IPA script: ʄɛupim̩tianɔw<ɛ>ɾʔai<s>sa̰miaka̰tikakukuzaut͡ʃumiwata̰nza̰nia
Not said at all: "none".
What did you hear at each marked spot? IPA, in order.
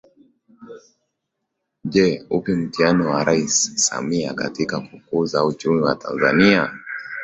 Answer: a, s

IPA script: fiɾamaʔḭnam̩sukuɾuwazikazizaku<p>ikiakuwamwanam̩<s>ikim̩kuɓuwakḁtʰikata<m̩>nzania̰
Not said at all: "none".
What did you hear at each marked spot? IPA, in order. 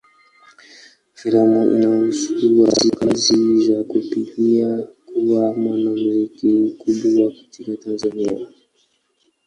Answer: p, z, none

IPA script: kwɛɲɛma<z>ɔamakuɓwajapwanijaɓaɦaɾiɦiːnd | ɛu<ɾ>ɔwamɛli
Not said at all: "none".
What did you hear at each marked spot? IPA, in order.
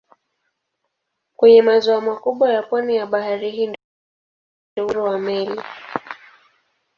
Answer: z, ɾ

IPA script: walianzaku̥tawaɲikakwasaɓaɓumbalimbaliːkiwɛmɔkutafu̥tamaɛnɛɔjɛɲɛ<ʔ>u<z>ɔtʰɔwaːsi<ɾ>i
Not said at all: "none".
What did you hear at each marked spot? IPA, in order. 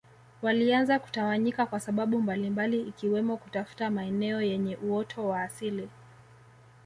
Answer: ʔ, none, l

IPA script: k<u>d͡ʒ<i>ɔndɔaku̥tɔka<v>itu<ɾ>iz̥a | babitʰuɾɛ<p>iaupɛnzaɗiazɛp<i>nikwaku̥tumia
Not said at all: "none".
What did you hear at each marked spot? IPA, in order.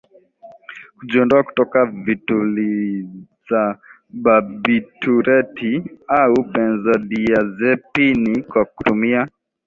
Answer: u, i, v, l, t, i

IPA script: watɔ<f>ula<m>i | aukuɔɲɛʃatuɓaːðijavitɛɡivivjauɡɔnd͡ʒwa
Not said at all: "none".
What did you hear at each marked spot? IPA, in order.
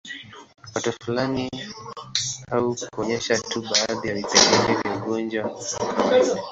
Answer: f, n

